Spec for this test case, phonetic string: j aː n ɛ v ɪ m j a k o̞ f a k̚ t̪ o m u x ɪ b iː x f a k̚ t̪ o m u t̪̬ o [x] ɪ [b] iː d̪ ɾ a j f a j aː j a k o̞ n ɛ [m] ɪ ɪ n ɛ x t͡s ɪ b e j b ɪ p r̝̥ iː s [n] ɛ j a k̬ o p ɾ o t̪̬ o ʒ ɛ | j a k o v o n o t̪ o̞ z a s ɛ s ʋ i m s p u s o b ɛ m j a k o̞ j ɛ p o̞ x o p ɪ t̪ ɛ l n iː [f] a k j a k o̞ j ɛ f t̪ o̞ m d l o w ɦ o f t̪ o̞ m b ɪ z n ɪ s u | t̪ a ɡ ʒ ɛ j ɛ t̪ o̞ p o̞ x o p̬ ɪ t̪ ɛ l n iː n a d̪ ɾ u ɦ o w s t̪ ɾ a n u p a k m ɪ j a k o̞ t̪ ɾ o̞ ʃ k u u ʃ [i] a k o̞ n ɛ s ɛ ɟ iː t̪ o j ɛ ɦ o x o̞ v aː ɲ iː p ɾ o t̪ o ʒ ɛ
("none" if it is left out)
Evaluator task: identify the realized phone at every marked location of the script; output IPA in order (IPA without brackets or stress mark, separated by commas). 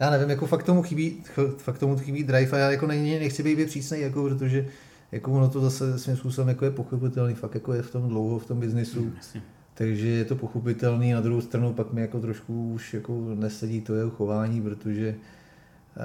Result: x, b, ɲ, n, f, j